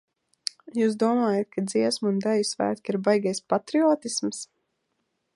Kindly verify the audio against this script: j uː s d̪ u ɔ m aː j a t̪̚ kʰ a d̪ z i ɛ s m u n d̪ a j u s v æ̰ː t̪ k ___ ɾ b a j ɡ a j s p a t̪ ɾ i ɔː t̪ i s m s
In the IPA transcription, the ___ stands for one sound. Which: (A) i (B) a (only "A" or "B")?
A